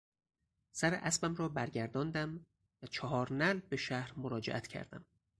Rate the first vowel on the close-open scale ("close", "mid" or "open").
open